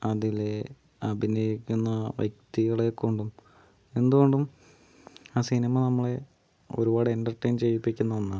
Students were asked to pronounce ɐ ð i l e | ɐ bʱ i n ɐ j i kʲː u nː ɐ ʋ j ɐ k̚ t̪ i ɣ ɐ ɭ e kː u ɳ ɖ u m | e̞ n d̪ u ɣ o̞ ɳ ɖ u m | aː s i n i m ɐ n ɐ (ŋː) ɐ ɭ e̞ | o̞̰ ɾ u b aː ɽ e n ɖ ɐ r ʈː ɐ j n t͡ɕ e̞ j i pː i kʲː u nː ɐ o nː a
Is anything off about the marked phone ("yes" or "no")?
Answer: yes